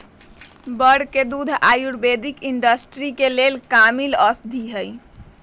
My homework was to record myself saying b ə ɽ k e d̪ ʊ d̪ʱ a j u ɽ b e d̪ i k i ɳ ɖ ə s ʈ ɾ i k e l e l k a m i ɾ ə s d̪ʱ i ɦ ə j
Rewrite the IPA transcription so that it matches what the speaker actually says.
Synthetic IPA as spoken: b ə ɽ k e d̪ u d̪ʱ a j u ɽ b e d̪ i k i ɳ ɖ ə s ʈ ɾ i k e l e l k a m i l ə s d̪ʱ i ɦ ə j